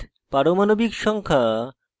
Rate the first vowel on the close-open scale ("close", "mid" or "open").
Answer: open